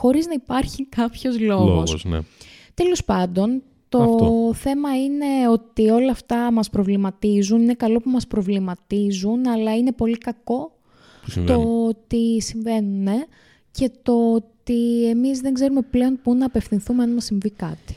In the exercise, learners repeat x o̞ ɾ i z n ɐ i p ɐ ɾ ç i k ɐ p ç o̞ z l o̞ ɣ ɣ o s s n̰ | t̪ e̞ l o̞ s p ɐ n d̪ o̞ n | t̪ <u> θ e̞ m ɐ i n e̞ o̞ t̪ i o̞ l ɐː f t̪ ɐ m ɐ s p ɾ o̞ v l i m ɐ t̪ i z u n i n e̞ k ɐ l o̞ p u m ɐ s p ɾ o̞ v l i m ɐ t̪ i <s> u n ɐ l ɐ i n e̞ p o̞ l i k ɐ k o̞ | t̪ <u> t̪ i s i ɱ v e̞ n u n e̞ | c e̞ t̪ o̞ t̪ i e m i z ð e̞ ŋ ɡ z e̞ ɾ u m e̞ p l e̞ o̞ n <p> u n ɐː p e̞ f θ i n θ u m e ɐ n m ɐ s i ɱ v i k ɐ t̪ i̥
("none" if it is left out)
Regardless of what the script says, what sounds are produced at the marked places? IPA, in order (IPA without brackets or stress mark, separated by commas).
o, z, o, p